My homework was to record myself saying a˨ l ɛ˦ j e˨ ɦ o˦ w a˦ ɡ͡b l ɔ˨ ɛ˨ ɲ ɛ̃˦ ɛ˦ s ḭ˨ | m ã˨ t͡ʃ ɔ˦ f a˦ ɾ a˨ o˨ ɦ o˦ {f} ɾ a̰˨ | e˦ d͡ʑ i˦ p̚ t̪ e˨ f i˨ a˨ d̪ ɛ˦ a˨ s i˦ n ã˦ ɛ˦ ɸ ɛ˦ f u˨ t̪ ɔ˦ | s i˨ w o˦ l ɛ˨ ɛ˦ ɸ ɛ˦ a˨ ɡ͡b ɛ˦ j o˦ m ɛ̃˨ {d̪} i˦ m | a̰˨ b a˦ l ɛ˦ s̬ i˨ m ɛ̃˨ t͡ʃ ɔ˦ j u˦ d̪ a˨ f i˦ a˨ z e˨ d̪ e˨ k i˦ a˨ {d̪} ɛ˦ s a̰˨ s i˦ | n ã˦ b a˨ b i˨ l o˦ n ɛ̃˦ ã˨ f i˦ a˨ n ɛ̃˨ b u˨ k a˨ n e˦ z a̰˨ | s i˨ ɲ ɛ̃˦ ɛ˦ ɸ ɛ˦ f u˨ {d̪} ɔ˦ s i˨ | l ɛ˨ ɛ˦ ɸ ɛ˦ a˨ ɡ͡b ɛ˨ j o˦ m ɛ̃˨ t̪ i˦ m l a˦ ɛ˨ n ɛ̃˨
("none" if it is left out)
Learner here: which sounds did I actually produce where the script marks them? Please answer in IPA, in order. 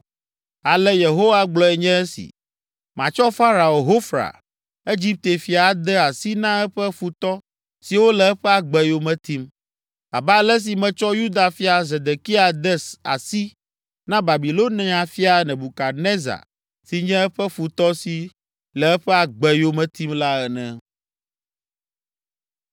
f, t̪, d̪, t̪

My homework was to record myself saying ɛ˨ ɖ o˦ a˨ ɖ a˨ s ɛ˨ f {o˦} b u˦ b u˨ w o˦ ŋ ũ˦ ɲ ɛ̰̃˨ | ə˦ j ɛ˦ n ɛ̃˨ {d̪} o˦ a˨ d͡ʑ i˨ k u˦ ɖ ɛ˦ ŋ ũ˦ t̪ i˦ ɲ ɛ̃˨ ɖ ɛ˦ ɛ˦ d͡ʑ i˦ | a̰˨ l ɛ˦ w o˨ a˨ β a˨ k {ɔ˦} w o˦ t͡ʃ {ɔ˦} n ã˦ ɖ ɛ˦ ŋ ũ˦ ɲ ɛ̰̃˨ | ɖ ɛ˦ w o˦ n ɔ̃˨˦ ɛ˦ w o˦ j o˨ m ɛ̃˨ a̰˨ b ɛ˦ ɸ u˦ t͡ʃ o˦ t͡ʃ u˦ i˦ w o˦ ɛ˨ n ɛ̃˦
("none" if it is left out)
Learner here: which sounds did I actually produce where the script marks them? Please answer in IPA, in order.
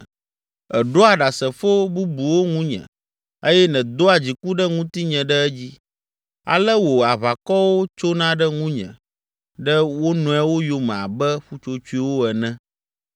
o˦, d̪, ɔ˦, o˦

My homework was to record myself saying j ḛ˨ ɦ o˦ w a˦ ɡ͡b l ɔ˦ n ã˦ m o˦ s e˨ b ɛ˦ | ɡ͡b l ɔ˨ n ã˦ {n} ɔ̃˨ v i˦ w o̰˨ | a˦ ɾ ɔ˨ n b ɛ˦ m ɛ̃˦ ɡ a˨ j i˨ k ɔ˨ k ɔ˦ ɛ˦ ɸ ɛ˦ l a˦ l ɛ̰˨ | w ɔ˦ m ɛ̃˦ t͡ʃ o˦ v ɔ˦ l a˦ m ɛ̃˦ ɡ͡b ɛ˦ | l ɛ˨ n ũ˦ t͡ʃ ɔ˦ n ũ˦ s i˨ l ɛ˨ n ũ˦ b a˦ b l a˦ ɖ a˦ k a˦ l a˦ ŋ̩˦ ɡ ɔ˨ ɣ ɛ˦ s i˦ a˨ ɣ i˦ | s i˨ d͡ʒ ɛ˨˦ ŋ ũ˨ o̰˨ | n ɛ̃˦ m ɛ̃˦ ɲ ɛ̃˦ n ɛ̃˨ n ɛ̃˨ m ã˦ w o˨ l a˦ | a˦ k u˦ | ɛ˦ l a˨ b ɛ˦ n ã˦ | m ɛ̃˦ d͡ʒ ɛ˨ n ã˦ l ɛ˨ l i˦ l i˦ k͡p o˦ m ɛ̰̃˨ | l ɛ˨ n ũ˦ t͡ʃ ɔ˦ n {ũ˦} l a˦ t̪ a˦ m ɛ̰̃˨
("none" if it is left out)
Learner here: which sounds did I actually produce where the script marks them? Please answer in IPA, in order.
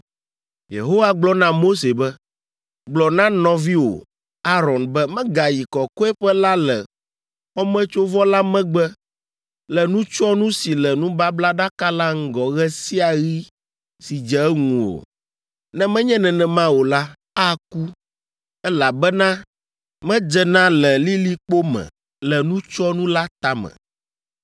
n, ũ˦

